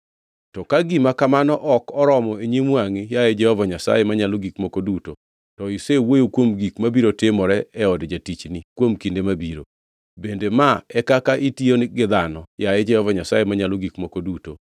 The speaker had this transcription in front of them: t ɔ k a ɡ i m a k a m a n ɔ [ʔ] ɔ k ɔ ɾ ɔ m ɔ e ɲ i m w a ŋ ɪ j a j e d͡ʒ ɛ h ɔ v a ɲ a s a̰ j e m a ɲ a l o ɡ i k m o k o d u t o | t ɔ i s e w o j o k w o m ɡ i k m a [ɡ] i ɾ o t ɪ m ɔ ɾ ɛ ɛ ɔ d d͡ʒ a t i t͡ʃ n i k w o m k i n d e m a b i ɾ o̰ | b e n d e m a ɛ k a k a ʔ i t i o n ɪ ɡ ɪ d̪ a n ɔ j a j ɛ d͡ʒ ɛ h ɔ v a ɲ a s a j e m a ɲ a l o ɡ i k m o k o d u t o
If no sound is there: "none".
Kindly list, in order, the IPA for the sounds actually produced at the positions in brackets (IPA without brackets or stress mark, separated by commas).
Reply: ʔ, b